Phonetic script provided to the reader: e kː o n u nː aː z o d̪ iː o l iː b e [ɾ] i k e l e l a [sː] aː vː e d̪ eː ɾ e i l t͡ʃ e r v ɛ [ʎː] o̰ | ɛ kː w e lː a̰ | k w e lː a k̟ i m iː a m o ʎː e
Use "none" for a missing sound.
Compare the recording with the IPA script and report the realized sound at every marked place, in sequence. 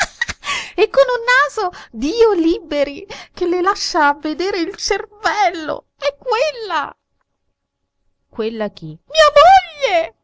ɾ, ʃː, lː

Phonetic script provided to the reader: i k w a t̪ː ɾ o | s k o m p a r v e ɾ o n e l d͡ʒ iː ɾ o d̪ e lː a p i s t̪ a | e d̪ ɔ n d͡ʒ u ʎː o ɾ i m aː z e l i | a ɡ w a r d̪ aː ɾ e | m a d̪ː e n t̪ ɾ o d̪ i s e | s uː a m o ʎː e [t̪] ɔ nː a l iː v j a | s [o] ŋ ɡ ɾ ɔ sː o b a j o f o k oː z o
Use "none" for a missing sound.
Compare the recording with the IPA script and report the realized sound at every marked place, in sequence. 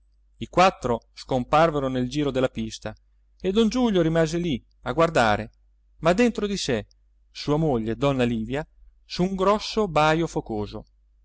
d̪, u

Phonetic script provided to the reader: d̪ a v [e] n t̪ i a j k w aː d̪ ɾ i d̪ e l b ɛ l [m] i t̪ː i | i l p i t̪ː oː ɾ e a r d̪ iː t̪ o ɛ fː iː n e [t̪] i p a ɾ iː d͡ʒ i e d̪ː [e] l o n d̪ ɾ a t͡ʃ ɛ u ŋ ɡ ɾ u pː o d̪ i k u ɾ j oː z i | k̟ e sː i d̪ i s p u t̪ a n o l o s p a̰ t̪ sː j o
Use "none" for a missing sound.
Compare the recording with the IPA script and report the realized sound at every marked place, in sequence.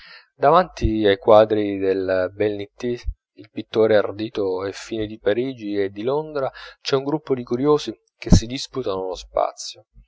a, n, d̪, i

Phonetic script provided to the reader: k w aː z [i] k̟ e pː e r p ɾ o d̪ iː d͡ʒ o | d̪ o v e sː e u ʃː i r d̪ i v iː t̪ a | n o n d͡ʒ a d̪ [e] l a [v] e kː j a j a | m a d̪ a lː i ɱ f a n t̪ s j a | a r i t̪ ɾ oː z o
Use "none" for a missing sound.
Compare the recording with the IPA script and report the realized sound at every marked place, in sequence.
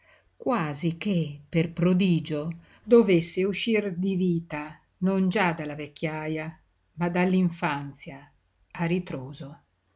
i, a, v

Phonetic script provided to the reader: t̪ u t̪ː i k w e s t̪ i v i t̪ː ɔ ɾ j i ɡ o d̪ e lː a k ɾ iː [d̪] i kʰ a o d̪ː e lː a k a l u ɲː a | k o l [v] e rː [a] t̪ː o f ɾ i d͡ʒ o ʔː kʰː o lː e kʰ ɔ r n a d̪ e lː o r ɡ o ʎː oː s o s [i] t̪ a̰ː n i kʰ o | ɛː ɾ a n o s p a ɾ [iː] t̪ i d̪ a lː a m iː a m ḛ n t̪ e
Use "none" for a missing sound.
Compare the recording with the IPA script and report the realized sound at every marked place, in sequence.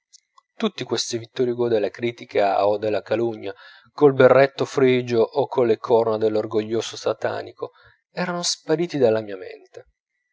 t̪, b, e, a, iː

